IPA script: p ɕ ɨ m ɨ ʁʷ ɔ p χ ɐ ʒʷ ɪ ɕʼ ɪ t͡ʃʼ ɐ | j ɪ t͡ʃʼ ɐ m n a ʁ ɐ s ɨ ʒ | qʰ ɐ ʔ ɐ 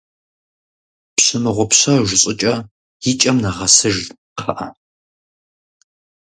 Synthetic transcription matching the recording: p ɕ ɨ m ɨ ʁʷ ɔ p ɕ ɐ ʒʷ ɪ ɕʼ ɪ t͡ʃʼ ɐ | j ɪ t͡ʃʼ ɐ m n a ʁ ɐ s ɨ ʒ | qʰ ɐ ʔ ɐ